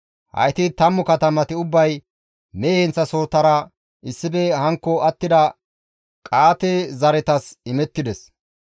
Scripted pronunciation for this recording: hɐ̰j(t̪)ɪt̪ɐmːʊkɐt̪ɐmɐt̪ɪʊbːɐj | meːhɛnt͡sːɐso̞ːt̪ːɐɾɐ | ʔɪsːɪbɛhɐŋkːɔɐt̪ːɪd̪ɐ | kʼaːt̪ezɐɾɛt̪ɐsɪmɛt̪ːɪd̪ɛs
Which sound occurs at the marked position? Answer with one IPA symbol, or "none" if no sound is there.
t̪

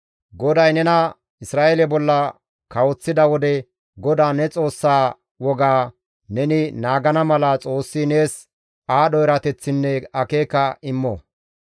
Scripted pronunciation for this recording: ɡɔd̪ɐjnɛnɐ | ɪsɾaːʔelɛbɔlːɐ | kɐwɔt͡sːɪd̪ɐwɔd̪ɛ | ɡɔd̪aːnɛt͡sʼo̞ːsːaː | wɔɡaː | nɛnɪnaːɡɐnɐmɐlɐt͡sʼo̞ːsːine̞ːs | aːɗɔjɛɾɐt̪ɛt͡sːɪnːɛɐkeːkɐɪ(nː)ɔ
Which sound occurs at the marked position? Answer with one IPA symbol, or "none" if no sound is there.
mː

